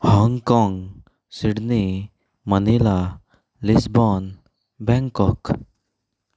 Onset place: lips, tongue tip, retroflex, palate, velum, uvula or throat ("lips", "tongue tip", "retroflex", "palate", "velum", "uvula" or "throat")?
throat